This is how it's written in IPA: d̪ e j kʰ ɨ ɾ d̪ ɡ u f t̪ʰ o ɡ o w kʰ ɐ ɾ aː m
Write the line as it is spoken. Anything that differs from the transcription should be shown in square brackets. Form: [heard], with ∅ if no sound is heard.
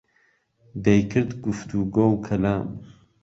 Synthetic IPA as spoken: d̪ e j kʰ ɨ ɾ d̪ ɡ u f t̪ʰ [u] ɡ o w kʰ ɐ [l] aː m